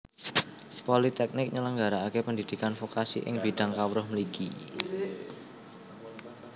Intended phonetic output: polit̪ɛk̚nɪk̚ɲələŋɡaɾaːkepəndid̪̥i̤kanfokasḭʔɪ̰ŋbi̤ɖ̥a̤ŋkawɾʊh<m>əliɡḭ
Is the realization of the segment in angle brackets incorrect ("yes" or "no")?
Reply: no